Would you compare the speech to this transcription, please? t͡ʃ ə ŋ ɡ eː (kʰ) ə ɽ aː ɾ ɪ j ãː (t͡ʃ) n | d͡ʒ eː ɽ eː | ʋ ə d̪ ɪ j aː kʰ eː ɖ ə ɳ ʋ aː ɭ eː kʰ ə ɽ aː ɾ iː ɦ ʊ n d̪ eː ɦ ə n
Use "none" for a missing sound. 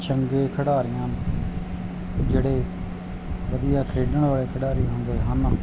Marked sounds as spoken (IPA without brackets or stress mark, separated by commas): kʰ, none